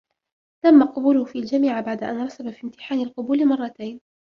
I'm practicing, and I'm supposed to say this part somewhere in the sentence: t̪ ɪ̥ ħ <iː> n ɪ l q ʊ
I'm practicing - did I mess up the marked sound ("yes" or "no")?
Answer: yes